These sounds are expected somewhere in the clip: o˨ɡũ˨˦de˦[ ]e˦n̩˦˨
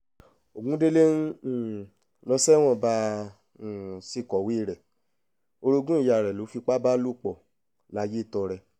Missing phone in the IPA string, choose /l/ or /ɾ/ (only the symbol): l